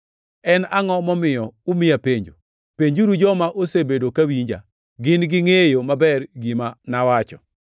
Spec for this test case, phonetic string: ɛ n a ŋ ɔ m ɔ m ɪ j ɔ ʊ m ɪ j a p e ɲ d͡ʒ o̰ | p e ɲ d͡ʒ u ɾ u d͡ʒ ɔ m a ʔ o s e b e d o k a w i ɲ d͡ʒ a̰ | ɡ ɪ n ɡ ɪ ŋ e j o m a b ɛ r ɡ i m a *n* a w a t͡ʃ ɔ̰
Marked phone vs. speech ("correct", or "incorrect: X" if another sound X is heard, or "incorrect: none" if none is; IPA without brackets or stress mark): correct